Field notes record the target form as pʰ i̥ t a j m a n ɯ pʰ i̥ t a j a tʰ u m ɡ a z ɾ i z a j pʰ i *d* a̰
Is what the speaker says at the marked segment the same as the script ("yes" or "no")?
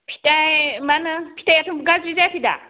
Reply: yes